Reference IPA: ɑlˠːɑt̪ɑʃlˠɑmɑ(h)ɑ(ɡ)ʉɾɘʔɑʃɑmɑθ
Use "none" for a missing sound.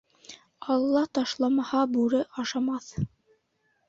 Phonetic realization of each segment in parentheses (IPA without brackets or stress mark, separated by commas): h, b